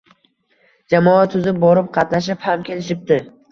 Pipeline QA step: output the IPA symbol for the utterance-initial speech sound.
d͡ʒ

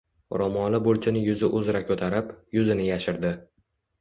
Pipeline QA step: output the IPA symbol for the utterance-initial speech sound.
ɾ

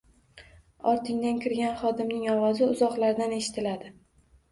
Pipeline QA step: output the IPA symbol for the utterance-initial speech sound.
ɒ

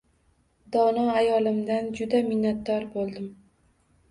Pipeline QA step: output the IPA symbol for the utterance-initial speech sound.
d̪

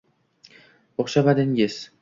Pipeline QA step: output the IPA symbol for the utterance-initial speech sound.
o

